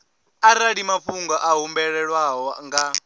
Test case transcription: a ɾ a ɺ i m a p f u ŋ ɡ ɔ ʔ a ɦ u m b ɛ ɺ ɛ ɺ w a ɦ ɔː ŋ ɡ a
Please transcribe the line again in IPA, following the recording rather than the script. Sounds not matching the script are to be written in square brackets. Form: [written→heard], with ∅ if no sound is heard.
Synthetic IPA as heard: a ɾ a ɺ i m a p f u ŋ ɡ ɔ ʔ a ɦ u m b ɛ ɺ ɛ ɺ w a ɦ [ɔː→ɔ] ŋ ɡ a

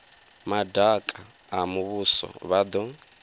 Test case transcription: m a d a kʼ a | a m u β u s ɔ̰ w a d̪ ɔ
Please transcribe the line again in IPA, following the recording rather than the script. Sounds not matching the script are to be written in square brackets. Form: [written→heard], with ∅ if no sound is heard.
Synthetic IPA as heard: m a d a kʼ a | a m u β u s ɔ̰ [w→β] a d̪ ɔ

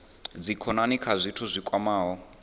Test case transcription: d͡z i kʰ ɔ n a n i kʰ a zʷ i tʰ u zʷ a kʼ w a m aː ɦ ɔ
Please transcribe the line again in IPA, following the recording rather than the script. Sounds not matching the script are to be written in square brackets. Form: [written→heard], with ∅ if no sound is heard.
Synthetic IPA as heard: d͡z i kʰ ɔ n a n i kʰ a zʷ i tʰ u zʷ [a→i] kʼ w a m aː ɦ ɔ

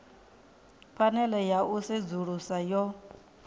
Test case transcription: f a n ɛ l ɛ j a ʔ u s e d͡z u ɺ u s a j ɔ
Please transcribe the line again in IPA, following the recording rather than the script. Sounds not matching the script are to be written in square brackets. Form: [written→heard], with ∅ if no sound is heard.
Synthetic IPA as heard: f a n ɛ l ɛ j a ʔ u s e d͡z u ɺ u s a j ɔ

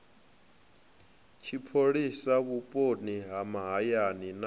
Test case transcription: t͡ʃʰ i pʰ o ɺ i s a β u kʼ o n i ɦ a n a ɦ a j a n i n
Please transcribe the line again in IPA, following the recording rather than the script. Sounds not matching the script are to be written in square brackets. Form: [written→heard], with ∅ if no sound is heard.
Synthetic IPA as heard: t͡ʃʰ i pʰ o ɺ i s a β u [kʼ→pʼ] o n i ɦ a [n→m] a ɦ a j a n i n

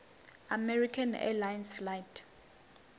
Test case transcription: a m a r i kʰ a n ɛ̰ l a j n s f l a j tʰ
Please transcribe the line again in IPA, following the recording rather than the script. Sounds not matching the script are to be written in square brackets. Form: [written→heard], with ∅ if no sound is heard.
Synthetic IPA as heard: a m [a→ɛ] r i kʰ a n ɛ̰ l a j n s f l a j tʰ

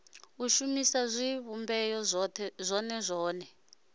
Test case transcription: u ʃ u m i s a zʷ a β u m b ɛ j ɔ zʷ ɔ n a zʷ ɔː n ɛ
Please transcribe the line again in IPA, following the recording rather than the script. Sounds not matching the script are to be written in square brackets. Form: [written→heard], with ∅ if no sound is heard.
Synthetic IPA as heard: u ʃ u m i s a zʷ [a→i] β u m b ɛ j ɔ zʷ ɔ n [a→ɛ] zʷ ɔː n ɛ

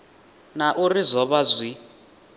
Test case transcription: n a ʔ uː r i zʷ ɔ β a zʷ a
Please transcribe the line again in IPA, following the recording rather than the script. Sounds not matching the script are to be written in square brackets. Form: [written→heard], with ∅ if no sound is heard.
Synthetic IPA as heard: n a ʔ [uː→u] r i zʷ ɔ β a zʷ [a→i]

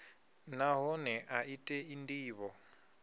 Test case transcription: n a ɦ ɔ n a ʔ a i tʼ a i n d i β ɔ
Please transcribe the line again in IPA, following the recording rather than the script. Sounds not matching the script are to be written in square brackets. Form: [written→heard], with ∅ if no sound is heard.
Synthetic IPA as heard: n a ɦ ɔ n [a→ɛ] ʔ a i tʼ [a→ɛ] i n d [i→iː] β ɔ

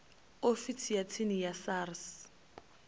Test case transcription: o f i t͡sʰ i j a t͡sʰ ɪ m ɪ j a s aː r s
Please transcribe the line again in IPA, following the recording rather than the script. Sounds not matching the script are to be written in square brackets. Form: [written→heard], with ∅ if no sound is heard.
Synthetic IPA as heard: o f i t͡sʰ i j a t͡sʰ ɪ [m→n] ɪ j a s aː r s

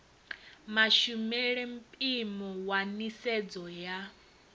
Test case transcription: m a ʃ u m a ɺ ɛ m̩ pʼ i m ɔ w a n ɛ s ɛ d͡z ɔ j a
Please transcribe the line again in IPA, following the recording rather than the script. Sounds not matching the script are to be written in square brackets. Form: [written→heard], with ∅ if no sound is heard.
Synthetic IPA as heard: m a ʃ u m [a→ɛ] ɺ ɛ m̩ pʼ i m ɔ w a n [ɛ→i] s ɛ d͡z ɔ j a

